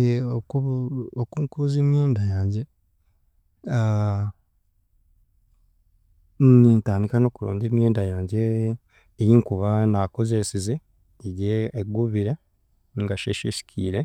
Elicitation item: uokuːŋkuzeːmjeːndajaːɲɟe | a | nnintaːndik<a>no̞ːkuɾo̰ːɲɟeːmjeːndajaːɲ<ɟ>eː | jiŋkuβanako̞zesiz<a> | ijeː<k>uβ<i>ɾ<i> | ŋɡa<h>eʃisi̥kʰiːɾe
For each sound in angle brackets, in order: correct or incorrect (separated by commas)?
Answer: correct, correct, incorrect, incorrect, correct, incorrect, incorrect